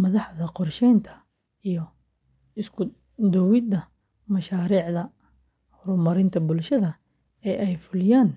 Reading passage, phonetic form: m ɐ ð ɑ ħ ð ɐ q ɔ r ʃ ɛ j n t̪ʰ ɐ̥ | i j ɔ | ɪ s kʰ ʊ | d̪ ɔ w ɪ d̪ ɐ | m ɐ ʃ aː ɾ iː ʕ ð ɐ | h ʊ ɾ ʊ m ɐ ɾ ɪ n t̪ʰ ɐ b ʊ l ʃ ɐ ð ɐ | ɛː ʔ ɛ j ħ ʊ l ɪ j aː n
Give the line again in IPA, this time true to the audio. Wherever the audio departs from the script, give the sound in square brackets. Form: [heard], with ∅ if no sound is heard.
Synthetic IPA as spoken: m ɐ ð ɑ ħ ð ɐ q ɔ r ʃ ɛ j n t̪ʰ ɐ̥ | i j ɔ | ɪ s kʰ ʊ | d̪ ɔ w ɪ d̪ ɐ | m ɐ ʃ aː ɾ iː ʕ ð ɐ | h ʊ ɾ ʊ m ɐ ɾ ɪ n t̪ʰ ɐ b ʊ l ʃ ɐ ð ɐ | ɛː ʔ ɛ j [f] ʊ l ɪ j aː n